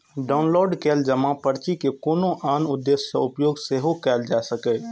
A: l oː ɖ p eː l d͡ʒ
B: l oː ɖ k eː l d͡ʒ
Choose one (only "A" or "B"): B